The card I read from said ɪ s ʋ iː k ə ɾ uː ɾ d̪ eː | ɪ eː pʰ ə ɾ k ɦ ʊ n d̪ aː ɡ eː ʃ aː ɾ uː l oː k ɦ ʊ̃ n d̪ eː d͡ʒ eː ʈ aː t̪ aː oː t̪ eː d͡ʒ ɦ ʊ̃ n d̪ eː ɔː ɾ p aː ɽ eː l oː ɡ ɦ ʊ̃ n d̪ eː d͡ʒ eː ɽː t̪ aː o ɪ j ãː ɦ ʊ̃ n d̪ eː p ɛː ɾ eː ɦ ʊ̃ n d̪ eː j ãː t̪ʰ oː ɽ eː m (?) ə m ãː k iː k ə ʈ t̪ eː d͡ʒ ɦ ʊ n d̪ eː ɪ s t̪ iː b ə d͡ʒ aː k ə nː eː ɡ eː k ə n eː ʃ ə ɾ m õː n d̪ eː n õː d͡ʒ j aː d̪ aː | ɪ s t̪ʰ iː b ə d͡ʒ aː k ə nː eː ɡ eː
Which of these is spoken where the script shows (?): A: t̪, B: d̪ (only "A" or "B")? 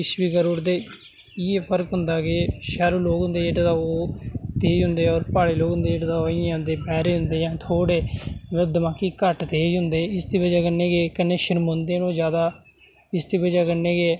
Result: B